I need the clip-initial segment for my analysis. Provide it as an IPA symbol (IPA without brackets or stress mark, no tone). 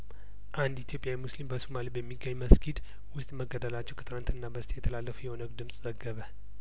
ʔ